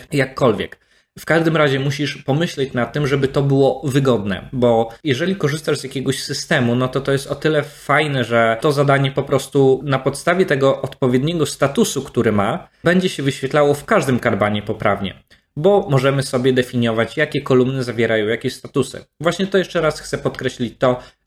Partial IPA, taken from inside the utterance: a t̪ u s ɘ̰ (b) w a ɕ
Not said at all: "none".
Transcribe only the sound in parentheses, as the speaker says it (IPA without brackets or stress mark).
v